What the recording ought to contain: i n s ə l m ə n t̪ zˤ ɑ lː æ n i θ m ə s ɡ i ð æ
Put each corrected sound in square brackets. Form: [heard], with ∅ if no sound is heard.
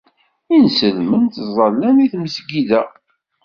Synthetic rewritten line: i n s ə l m ə n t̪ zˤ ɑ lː æ n i θ m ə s ɡ i ð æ